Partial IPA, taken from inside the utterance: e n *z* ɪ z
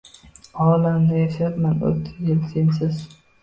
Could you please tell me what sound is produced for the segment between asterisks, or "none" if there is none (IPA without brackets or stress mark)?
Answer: s